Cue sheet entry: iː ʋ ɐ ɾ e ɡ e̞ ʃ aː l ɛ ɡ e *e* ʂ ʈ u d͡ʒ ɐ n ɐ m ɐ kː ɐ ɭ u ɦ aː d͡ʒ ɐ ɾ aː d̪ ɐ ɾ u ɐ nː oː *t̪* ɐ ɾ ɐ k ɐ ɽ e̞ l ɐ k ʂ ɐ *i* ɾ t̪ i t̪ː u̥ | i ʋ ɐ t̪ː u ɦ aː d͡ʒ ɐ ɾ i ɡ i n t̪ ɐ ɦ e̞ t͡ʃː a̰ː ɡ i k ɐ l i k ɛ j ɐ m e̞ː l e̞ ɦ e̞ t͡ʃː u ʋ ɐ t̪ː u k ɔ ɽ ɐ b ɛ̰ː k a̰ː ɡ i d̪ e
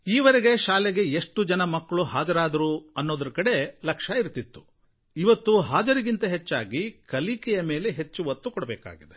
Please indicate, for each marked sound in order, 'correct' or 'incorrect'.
correct, incorrect: d̪, correct

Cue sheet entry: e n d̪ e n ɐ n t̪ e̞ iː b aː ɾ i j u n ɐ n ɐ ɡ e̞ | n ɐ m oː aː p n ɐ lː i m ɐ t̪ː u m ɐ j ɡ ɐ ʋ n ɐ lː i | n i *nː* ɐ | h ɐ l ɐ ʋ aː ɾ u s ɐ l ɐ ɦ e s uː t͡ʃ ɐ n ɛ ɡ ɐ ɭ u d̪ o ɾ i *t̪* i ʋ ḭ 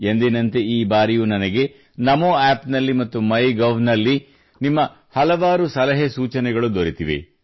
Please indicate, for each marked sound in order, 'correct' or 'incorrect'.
incorrect: mː, correct

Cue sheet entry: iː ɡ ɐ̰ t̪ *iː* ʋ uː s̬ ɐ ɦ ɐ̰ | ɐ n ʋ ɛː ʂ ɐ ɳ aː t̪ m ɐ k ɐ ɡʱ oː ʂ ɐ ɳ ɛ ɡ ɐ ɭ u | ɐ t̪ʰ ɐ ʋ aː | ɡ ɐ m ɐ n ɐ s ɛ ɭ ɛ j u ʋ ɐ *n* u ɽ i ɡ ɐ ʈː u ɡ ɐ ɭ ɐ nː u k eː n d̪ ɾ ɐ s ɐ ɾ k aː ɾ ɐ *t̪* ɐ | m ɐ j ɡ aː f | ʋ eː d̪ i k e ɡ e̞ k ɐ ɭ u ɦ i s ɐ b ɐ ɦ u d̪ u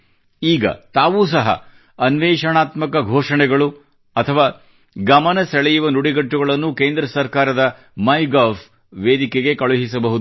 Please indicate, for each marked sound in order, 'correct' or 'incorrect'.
incorrect: aː, correct, incorrect: d̪

